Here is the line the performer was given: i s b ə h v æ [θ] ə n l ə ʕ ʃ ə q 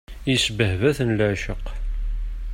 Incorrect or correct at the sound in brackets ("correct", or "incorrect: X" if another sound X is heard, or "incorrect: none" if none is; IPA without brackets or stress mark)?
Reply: correct